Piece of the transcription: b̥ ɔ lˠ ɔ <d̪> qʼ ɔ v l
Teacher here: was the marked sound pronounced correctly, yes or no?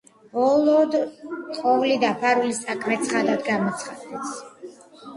yes